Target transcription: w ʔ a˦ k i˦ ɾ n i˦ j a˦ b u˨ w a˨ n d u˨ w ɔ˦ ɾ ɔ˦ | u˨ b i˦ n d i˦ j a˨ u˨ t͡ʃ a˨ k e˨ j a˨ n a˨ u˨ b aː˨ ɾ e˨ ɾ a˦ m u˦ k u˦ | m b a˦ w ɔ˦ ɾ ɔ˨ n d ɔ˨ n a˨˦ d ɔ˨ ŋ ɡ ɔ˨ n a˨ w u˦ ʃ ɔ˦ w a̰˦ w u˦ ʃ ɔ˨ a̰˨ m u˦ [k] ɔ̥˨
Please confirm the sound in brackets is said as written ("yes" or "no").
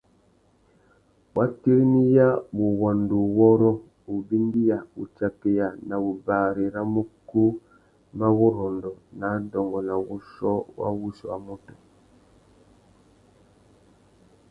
no